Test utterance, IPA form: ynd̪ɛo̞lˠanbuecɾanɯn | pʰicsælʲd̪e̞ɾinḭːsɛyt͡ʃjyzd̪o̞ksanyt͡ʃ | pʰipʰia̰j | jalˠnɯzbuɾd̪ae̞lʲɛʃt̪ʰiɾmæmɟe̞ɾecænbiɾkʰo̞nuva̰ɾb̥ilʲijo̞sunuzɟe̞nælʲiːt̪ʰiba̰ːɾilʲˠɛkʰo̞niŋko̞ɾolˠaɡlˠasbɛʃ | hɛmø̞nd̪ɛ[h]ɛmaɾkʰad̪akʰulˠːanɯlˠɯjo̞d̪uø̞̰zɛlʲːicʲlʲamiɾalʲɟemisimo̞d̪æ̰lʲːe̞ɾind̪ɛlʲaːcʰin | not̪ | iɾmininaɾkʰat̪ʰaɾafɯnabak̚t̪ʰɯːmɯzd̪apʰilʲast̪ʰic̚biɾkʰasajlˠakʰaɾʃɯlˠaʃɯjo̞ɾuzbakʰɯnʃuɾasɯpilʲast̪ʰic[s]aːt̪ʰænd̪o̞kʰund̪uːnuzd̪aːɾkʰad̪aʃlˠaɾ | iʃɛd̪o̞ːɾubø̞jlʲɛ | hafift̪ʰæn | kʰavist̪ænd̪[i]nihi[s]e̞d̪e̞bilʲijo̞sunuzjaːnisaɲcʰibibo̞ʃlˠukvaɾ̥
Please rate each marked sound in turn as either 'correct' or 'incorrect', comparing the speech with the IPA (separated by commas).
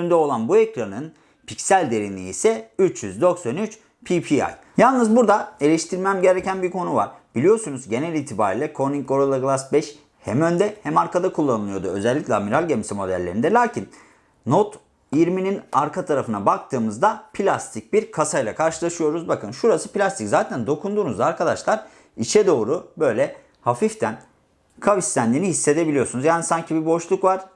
correct, incorrect, incorrect, incorrect